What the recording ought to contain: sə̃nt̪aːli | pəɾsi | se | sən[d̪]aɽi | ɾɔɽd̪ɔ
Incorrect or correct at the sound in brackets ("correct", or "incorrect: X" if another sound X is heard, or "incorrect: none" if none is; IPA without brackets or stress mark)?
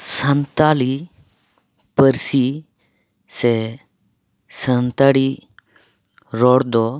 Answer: incorrect: t̪